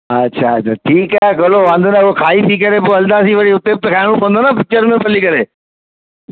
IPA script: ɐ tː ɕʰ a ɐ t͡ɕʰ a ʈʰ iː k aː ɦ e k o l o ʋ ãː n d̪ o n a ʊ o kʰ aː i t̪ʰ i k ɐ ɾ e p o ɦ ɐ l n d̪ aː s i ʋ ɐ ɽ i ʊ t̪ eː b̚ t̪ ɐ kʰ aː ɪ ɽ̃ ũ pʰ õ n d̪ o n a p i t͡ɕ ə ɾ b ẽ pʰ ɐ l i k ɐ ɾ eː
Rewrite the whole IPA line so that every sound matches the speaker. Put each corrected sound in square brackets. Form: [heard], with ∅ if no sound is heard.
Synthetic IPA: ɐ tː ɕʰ a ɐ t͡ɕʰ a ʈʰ iː k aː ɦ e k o l o ʋ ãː n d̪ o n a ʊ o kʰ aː i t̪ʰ i k ɐ ɾ e p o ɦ ɐ l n d̪ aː s i ʋ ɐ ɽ i ʊ t̪ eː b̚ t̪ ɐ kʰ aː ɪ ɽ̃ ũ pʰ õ n d̪ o n a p [ɪ] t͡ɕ ə ɾ [m] ẽ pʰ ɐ l i k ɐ ɾ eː